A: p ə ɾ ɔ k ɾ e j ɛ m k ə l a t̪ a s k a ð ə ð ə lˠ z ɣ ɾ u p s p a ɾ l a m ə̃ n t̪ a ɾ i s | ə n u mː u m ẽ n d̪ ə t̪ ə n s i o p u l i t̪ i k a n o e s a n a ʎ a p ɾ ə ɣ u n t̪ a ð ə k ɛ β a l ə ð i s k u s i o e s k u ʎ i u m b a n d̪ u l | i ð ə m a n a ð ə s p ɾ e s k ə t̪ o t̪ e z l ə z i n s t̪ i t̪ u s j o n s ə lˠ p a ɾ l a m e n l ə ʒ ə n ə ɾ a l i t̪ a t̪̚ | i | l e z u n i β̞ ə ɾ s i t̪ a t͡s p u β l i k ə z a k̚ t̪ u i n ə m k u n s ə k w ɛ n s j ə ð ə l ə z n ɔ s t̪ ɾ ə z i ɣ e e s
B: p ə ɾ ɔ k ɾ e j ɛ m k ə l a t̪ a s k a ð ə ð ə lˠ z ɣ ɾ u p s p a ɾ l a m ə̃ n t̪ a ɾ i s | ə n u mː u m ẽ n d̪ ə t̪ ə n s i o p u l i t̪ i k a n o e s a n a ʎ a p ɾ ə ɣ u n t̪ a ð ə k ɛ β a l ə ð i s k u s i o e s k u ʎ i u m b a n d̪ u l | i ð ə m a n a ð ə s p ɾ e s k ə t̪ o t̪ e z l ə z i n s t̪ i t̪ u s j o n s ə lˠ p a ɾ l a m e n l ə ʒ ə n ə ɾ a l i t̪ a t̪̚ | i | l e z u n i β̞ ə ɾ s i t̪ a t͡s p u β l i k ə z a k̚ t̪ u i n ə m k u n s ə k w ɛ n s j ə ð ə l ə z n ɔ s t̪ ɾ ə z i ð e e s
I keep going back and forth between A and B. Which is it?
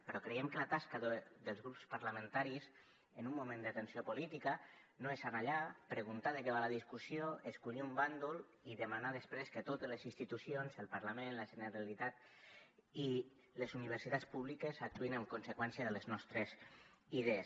B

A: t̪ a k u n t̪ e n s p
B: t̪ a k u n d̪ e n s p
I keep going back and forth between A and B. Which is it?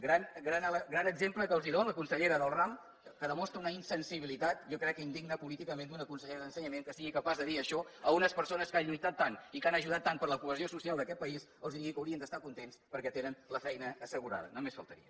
A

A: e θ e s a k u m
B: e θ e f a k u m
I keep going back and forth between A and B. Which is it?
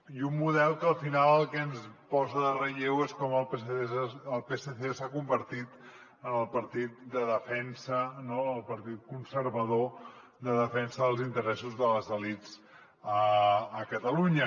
A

